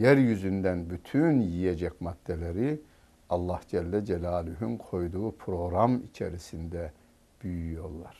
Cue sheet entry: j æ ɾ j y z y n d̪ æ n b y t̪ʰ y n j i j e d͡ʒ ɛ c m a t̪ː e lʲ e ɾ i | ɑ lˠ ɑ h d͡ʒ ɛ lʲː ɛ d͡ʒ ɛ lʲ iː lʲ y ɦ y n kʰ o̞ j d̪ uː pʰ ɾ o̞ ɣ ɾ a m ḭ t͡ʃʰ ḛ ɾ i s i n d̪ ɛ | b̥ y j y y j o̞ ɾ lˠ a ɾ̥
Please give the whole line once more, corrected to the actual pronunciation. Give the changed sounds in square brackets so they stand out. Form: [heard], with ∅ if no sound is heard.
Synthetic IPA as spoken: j æ ɾ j y z y n d̪ æ n b y t̪ʰ y n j i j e d͡ʒ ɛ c m a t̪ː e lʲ e ɾ i | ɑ [lˠː] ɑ h d͡ʒ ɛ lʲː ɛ d͡ʒ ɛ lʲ [aː] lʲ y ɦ y n kʰ o̞ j d̪ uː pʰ ɾ o̞ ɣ ɾ a m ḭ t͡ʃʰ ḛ ɾ i s i n d̪ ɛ | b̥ y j y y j o̞ ɾ lˠ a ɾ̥